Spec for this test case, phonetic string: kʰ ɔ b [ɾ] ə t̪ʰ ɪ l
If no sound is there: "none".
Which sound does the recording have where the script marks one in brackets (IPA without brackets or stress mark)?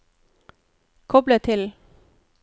l